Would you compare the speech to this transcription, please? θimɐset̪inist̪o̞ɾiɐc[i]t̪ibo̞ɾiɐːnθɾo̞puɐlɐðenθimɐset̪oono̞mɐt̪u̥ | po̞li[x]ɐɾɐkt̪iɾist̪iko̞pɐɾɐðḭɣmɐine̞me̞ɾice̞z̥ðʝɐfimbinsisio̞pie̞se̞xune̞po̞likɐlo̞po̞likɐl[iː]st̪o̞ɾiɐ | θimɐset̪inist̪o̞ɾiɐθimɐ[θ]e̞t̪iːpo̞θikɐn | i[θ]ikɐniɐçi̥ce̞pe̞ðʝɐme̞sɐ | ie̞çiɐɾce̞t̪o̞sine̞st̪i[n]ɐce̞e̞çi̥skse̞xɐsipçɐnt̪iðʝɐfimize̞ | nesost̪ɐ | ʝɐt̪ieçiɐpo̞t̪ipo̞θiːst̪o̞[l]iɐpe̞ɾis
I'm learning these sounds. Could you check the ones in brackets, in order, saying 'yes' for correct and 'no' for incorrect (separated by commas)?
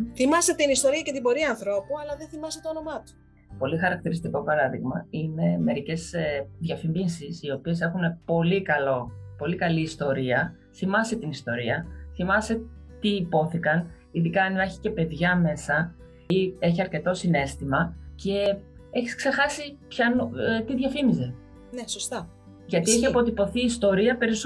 no, yes, yes, no, no, no, no